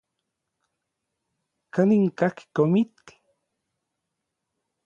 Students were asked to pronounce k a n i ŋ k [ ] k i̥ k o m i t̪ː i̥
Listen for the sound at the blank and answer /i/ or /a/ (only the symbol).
a